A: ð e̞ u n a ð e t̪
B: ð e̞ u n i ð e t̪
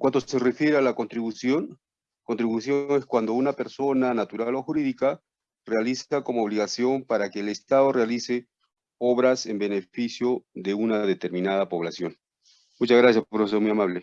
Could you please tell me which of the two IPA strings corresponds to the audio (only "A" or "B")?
A